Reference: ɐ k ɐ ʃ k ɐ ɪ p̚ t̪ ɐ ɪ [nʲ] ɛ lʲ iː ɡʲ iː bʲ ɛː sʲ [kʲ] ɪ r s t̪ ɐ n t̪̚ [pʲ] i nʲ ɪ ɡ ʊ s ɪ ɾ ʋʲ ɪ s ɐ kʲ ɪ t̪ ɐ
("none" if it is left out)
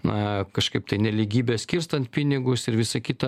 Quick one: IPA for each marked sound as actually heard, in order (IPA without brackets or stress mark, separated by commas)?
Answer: nʲ, kʲ, pʲ